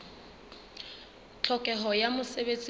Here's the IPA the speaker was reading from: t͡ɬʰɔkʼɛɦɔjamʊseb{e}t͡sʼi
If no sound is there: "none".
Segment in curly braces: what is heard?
e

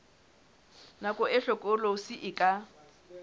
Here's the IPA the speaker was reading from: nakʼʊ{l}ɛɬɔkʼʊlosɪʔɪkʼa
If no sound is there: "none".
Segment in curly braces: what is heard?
none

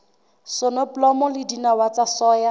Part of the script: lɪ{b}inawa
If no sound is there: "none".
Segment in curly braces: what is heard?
d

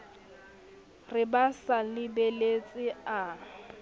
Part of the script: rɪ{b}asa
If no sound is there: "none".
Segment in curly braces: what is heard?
b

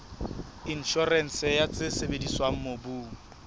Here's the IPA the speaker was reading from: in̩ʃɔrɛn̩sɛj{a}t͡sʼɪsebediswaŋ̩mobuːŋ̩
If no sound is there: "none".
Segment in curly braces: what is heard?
a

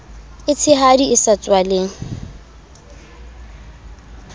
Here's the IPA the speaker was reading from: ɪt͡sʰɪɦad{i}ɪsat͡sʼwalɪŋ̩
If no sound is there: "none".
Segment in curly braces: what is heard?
i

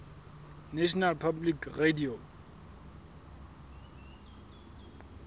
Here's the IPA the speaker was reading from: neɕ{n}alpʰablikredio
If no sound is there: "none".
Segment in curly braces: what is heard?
n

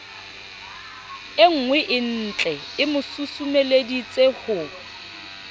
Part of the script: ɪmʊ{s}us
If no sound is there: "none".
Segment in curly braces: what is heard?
s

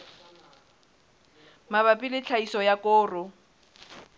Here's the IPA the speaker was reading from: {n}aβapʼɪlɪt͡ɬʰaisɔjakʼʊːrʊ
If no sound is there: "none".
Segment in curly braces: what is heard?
m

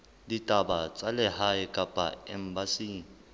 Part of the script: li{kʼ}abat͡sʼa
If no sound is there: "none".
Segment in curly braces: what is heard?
tʼ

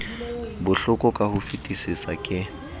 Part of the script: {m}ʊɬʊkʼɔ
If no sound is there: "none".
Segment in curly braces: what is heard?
b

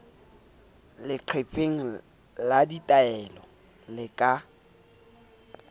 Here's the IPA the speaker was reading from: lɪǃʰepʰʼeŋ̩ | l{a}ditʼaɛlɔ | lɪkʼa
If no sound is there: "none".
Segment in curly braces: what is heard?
a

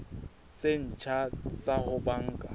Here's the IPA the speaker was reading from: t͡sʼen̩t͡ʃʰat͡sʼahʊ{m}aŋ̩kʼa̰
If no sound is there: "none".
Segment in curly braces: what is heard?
b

